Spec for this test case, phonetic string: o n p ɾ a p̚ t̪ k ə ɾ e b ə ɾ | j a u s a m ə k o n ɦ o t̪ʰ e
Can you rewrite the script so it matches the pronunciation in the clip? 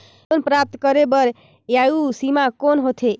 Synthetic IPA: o n p ɾ a p̚ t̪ k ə ɾ e b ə ɾ | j a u s i m a k o n ɦ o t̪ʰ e